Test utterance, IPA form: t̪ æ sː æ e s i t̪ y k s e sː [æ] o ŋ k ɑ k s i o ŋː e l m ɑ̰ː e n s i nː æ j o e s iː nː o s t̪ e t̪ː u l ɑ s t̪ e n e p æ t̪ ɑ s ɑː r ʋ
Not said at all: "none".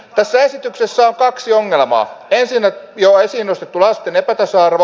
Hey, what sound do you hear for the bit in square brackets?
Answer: æ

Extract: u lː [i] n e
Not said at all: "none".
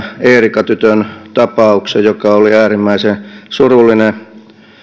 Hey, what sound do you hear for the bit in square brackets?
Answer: i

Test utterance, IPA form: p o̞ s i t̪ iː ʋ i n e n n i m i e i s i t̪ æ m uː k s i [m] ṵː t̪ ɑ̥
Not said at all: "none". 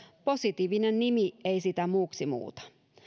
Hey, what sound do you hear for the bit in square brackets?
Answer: m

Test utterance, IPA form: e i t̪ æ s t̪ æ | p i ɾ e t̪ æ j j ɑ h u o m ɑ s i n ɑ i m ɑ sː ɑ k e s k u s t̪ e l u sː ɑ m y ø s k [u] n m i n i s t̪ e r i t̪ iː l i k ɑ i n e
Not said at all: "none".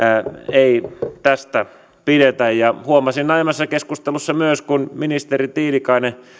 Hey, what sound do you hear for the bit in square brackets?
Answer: u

